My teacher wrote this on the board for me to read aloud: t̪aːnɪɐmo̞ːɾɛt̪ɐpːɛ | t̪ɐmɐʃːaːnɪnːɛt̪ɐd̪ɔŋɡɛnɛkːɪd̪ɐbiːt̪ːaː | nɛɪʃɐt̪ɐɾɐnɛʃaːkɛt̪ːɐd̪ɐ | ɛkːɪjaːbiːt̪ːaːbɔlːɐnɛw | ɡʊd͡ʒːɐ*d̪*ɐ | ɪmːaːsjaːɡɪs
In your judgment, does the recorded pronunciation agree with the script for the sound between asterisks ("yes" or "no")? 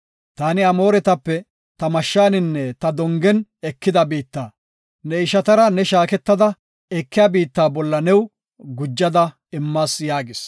yes